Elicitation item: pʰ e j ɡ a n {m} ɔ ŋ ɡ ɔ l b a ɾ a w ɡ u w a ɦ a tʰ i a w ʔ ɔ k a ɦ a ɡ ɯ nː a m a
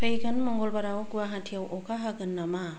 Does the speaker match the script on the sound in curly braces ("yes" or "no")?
yes